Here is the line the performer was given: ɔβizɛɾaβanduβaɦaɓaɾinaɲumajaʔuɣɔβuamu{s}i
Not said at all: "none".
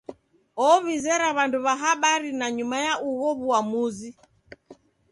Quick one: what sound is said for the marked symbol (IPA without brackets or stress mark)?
z